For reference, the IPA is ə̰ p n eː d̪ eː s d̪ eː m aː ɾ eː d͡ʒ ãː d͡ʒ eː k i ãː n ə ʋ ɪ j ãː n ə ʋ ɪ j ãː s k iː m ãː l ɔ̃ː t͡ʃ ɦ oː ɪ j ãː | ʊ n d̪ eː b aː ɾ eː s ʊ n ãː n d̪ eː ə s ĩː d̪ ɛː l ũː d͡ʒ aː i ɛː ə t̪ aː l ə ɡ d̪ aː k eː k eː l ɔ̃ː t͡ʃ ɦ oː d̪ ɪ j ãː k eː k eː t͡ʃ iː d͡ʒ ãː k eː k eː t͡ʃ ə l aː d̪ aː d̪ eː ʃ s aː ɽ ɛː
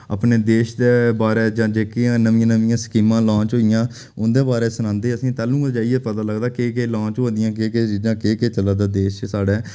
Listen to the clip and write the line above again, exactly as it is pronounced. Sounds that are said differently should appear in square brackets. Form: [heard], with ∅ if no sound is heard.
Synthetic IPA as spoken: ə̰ p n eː d̪ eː [ʃ] d̪ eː [b] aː ɾ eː d͡ʒ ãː d͡ʒ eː k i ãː n ə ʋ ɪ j ãː n ə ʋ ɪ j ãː s k iː m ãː l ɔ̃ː t͡ʃ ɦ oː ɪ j ãː | ʊ n d̪ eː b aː ɾ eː s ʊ n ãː n d̪ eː ə s ĩː [t̪] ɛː l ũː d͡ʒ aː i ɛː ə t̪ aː l ə ɡ d̪ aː k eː k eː l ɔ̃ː t͡ʃ ɦ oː d̪ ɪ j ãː k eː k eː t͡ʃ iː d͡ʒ ãː k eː k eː t͡ʃ ə l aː d̪ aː d̪ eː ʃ s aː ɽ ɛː